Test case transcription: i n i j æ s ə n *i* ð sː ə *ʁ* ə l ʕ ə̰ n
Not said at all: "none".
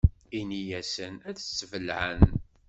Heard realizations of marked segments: æ, v

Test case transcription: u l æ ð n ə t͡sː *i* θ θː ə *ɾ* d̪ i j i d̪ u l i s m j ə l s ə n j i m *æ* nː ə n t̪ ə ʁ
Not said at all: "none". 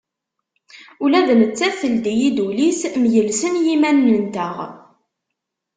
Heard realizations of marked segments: æ, l, æ

